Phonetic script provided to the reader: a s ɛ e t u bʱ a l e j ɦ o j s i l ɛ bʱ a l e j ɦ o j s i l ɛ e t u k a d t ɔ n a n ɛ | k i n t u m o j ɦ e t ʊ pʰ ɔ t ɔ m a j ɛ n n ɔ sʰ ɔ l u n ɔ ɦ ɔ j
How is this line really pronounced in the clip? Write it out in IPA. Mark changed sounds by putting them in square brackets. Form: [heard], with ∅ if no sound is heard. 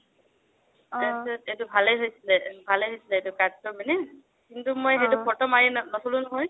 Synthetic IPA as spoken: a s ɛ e t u bʱ a l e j ɦ o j s i l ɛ bʱ a l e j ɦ o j s i l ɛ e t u k a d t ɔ [m] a n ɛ | k i n t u m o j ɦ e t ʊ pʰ ɔ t ɔ m a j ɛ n n ɔ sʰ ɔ l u n ɔ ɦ ɔ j